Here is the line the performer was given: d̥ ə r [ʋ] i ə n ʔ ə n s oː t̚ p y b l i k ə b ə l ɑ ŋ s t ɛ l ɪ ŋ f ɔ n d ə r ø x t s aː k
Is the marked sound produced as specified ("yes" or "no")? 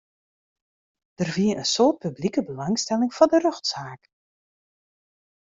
no